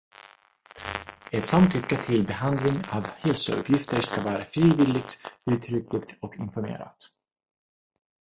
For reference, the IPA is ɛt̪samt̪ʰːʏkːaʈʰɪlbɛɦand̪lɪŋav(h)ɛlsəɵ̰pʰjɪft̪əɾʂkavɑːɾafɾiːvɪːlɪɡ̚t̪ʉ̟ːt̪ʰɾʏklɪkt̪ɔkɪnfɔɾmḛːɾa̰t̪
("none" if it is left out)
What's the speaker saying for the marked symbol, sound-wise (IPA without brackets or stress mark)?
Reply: h